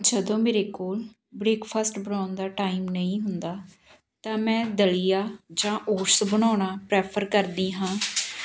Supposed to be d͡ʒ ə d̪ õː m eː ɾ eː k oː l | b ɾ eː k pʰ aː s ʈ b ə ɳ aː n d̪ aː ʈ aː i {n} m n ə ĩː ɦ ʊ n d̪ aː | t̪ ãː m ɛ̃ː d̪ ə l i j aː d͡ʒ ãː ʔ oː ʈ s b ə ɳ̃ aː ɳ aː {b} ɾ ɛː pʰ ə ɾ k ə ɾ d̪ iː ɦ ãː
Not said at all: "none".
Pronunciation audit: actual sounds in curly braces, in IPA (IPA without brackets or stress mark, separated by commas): none, p